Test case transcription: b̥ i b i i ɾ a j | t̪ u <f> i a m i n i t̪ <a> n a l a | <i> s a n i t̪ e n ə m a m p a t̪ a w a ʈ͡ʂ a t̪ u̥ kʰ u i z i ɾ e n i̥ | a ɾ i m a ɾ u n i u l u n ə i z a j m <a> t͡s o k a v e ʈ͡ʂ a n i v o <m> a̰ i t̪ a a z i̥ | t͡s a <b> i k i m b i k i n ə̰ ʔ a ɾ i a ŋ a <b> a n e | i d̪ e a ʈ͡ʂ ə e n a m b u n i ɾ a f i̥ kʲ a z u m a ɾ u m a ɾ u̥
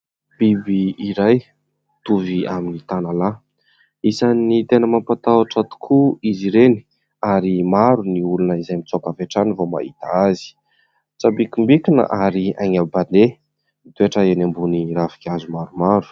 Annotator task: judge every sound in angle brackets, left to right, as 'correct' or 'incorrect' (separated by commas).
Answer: incorrect, correct, correct, incorrect, correct, correct, correct